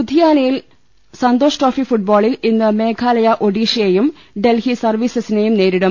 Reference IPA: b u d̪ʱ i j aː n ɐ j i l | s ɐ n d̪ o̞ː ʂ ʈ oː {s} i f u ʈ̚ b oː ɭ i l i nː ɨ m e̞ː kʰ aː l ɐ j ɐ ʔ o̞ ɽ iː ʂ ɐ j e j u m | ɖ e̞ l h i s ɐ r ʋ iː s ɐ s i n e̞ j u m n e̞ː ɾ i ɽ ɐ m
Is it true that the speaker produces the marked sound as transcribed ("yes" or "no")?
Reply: no